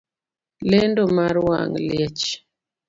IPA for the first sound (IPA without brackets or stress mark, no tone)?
l